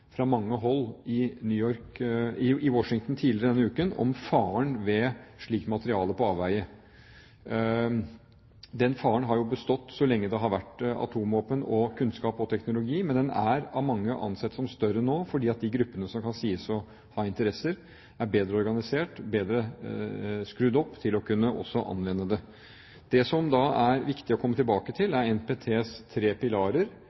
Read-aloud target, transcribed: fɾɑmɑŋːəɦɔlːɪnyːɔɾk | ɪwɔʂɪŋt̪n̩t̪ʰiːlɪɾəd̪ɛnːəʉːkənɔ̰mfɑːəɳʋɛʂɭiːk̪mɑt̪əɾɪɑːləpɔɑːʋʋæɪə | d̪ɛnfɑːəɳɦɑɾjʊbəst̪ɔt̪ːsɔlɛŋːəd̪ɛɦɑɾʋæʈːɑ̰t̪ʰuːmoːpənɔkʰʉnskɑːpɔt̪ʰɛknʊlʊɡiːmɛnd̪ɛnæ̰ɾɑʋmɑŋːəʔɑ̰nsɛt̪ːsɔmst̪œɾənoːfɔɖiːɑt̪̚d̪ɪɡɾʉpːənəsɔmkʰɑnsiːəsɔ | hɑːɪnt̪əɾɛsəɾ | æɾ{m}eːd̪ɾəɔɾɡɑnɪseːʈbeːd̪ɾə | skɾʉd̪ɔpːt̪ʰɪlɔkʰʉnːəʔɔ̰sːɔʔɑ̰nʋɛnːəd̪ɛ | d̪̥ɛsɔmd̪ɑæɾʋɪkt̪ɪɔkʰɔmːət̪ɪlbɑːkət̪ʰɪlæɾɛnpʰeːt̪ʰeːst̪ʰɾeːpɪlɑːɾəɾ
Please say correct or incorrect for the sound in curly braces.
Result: incorrect: b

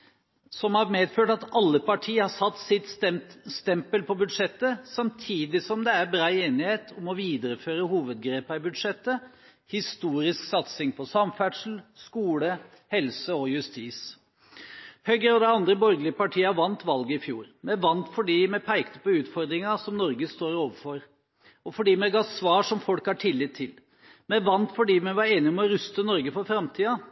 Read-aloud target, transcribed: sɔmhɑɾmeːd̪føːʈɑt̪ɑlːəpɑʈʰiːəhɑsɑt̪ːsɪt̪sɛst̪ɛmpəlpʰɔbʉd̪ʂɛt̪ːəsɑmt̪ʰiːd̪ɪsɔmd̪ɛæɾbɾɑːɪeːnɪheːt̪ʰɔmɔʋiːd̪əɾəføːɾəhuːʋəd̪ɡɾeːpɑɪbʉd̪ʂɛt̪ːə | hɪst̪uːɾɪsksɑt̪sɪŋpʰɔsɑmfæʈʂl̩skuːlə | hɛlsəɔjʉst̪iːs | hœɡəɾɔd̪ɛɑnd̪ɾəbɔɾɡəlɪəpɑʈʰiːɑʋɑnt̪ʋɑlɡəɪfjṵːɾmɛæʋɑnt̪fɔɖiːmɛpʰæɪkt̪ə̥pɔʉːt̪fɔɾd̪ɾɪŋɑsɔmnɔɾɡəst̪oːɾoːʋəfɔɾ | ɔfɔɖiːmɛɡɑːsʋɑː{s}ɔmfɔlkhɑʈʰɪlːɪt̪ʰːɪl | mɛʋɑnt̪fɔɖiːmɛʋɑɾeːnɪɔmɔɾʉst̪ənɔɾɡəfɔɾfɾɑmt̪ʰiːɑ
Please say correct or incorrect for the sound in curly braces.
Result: incorrect: ʂ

